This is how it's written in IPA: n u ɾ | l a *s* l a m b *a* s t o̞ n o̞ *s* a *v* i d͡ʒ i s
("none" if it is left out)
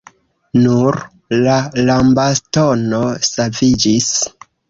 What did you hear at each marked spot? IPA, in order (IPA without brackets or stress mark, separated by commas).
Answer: none, a, s, v